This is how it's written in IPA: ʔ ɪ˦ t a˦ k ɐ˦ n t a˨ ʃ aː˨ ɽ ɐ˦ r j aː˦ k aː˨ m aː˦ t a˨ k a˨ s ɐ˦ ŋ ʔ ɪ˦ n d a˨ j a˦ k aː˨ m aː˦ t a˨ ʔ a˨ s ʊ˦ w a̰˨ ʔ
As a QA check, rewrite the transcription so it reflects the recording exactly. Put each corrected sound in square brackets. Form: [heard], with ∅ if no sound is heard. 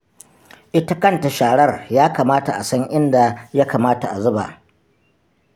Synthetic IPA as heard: ʔ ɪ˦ t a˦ k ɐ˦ n t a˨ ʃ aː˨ ɽ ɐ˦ r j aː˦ k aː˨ m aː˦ t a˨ [ʔ] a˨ s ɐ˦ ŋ ʔ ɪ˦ n d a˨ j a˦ k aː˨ m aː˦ t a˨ ʔ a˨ [z] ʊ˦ [b] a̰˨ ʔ